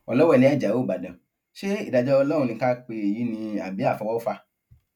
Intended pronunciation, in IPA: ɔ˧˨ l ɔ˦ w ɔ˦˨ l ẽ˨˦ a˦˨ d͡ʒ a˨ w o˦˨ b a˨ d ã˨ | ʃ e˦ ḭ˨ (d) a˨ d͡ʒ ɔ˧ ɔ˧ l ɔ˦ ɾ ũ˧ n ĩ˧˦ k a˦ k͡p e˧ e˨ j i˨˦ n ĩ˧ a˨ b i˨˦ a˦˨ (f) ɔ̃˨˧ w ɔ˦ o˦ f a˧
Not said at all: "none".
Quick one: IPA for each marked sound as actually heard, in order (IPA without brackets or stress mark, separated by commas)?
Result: d, f